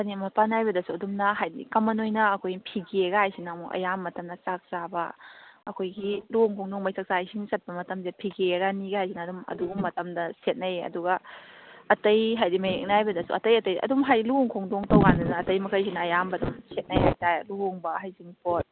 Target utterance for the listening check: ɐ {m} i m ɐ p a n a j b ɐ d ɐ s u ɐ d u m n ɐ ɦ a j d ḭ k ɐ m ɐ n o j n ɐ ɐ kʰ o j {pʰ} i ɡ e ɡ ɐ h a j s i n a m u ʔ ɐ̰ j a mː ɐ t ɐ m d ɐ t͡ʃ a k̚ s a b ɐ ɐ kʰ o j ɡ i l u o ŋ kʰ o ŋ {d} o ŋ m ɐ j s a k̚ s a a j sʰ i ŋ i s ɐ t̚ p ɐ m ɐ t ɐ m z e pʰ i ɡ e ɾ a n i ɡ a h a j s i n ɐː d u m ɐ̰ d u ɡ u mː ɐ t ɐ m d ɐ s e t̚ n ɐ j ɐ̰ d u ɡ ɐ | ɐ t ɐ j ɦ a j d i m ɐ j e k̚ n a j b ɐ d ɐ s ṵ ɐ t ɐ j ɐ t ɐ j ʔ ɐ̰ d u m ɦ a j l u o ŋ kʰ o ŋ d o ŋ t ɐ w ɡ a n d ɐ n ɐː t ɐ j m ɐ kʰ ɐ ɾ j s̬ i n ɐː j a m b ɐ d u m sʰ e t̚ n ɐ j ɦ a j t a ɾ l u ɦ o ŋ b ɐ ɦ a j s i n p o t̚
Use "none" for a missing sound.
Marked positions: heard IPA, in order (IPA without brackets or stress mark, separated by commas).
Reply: n, pʰ, d